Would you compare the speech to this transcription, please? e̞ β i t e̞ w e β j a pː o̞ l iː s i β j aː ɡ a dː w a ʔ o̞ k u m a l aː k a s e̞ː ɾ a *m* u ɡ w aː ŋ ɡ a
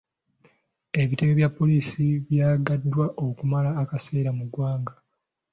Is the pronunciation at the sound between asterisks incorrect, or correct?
correct